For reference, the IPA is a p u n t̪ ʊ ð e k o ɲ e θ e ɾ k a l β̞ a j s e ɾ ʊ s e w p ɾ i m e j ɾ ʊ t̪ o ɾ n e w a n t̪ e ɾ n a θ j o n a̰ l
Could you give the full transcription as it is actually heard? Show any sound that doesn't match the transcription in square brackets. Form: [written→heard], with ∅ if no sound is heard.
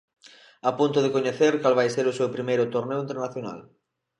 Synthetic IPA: a p u n t̪ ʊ ð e k o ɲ e θ e ɾ k a l β̞ a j s e ɾ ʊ s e w p ɾ i m e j ɾ ʊ t̪ o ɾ n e w [a→i] n t̪ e ɾ n a θ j o n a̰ l